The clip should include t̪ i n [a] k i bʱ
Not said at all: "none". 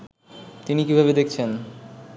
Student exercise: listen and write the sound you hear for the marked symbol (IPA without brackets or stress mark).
i